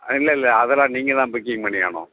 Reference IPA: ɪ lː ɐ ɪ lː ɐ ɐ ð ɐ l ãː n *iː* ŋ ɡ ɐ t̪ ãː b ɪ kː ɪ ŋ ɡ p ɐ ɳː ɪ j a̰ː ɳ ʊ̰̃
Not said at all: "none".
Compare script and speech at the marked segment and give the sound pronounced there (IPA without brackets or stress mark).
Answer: iː